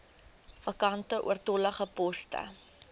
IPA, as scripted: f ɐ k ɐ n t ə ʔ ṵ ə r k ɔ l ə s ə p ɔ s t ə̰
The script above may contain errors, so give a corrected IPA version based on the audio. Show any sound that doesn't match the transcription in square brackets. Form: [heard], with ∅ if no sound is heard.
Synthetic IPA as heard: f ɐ k ɐ n t ə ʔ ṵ ə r [t] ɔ l ə [χ] ə p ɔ s t ə̰